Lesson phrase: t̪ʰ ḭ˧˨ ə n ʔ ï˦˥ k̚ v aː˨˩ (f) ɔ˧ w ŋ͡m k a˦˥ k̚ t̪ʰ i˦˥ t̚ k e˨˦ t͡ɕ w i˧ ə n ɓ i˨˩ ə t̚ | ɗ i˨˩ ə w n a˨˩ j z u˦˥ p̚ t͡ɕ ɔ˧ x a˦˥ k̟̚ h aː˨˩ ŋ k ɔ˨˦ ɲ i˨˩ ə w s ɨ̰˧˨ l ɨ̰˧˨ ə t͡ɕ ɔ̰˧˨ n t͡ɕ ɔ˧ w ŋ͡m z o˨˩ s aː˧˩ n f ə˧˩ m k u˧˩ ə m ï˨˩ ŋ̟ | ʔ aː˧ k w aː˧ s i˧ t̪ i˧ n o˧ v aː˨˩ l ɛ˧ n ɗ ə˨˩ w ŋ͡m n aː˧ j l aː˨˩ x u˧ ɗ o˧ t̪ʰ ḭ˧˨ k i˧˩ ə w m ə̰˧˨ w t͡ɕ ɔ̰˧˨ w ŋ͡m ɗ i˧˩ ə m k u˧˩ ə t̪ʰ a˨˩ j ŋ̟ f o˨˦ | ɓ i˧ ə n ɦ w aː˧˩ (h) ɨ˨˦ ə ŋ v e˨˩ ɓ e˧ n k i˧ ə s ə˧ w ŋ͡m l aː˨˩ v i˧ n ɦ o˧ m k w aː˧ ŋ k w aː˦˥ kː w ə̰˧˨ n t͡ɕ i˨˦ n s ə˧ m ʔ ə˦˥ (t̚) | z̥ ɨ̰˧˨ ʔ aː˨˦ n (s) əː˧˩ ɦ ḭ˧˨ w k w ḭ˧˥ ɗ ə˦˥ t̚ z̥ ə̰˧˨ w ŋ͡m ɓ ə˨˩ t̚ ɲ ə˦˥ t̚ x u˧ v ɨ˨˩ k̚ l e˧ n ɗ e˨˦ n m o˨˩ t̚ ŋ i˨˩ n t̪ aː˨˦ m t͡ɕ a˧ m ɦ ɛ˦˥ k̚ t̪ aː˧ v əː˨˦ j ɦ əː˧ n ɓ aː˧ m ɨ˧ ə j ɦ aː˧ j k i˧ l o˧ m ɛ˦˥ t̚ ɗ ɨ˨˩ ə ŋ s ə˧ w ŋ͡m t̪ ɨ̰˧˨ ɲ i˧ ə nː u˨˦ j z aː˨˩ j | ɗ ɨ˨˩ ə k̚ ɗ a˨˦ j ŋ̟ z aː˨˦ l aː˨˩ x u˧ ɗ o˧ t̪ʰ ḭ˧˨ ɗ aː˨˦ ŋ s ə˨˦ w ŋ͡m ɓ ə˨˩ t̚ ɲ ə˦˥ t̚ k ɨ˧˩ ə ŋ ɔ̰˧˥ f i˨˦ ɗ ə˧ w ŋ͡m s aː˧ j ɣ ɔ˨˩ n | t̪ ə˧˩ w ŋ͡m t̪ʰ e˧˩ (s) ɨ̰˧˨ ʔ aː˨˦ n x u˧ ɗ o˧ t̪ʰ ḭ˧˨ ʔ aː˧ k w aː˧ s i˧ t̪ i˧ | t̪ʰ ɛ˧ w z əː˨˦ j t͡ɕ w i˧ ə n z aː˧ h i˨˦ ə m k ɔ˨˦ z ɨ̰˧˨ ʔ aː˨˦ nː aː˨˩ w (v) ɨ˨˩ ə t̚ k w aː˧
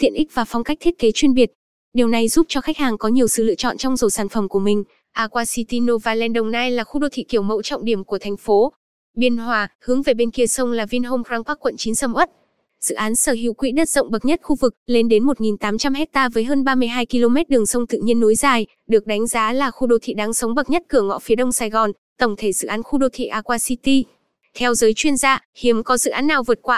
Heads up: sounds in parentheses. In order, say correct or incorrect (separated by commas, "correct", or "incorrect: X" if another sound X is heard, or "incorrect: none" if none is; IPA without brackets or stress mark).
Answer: correct, correct, correct, correct, incorrect: z, correct